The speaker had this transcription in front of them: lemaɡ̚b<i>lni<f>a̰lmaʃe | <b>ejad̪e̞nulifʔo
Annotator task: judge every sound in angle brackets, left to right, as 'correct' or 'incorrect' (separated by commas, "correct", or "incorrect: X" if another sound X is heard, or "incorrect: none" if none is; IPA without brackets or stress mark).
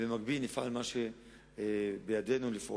correct, correct, correct